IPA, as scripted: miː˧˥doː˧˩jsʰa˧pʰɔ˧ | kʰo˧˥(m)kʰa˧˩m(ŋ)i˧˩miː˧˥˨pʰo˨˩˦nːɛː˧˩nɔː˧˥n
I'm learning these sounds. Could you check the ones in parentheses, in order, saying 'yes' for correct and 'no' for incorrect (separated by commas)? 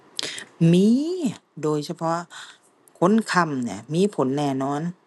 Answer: no, no